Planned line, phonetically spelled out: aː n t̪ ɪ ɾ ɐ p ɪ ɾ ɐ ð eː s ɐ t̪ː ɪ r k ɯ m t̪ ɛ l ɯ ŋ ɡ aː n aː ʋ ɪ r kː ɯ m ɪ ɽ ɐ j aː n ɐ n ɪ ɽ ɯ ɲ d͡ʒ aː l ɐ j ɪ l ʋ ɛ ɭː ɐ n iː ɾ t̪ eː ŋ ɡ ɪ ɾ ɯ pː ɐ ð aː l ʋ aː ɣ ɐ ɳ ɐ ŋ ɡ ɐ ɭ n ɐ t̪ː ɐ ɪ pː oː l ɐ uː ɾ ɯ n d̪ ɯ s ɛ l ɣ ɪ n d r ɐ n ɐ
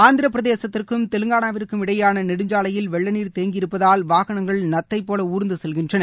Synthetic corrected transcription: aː n d̪ ɪ ɾ ɐ p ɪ ɾ ɐ ð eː s ɐ t̪ː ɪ r k ɯ m t̪ ɛ l ɯ ŋ ɡ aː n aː ʋ ɪ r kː ɯ m ɪ ɽ ɐ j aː n ɐ n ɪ ɽ ɯ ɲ d͡ʒ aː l ɐ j ɪ l ʋ ɛ ɭː ɐ n iː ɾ t̪ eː ŋ ɡ ɪ ɾ ɯ pː ɐ ð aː l ʋ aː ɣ ɐ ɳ ɐ ŋ ɡ ɐ ɭ n ɐ t̪ː ɐ ɪ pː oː l ɐ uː ɾ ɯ n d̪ ɯ s ɛ l ɣ ɪ n d r ɐ n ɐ